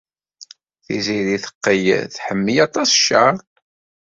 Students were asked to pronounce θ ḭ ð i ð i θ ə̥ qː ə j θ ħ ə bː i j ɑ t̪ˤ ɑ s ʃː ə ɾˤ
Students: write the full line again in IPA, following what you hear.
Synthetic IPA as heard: θ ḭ z i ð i θ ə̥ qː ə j θ ħ ə mː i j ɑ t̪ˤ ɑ s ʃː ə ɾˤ